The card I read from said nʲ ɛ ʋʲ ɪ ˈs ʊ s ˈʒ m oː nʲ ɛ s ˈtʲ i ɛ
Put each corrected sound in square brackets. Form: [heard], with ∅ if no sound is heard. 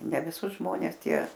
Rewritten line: nʲ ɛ ʋʲ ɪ ˈs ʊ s ˈʒ m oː nʲ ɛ s ˈtʲ i ɛ